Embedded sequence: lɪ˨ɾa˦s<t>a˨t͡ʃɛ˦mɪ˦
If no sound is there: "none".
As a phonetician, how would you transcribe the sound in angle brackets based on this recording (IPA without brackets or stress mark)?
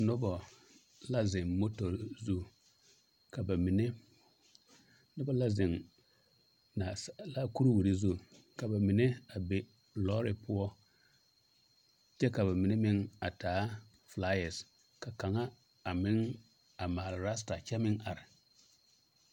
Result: t